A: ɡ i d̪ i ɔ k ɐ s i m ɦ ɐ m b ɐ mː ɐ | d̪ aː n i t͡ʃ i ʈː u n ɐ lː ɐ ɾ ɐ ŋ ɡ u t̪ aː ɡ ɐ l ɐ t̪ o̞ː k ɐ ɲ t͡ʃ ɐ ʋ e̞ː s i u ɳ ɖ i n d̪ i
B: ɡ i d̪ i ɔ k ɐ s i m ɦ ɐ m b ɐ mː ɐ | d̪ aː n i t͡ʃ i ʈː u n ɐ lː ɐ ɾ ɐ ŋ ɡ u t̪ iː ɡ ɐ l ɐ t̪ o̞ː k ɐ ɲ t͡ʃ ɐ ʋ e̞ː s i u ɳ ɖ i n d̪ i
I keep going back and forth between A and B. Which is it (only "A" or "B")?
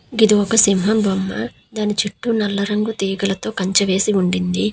B